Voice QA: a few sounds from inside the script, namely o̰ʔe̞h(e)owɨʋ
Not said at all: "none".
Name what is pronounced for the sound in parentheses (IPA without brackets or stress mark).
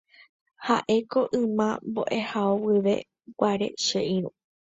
a